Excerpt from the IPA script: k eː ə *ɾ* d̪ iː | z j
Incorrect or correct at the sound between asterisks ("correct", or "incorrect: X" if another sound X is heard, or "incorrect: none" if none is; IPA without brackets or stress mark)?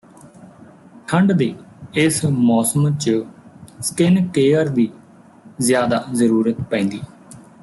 correct